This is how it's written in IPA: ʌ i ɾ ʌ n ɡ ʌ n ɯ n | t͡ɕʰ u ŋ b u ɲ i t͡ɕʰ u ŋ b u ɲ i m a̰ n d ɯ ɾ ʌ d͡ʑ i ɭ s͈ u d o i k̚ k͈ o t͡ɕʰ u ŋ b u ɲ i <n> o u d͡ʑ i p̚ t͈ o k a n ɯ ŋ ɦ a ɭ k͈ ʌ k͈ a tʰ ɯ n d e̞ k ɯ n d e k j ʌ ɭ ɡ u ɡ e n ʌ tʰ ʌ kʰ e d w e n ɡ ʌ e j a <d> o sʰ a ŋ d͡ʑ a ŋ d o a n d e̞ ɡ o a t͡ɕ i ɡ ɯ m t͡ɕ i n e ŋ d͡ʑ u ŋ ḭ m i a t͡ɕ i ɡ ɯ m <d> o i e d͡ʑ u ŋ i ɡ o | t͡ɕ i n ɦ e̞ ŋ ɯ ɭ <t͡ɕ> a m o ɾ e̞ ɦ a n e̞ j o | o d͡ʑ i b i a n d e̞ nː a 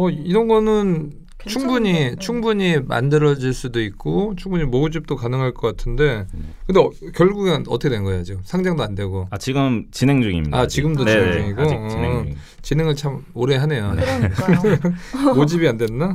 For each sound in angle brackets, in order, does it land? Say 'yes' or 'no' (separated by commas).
no, no, yes, no